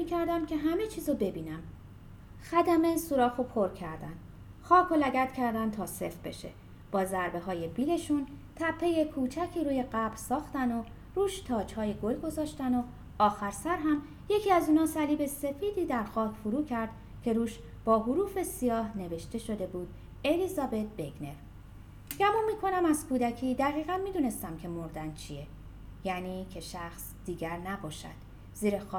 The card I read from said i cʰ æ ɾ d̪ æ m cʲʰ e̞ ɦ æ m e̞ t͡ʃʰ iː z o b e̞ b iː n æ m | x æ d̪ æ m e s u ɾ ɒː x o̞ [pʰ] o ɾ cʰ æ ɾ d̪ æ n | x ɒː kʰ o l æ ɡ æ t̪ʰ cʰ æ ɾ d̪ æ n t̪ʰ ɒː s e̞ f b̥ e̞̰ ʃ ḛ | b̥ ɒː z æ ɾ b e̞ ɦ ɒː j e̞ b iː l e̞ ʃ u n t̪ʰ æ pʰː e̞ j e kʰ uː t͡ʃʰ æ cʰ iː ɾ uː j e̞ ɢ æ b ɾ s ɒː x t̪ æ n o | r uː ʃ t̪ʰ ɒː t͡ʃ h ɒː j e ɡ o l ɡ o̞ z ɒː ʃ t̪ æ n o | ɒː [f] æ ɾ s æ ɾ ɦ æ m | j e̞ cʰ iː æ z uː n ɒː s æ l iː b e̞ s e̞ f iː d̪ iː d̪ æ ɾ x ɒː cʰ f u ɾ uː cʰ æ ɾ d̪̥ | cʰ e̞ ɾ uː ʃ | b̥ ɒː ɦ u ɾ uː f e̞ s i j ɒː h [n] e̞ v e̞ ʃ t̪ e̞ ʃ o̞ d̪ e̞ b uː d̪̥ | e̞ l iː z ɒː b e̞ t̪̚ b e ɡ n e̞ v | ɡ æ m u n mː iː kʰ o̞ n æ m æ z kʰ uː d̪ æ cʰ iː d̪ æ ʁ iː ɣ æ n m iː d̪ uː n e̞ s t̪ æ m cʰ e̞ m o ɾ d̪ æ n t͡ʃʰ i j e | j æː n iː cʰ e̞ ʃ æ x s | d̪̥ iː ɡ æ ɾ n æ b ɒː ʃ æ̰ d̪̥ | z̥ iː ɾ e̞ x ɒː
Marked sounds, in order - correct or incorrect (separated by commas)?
correct, incorrect, correct